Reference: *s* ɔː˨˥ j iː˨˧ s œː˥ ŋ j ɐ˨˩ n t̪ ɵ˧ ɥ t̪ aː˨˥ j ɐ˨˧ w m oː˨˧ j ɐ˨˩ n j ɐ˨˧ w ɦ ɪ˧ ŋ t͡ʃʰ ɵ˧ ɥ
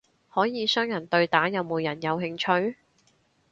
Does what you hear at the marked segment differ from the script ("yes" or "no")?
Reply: yes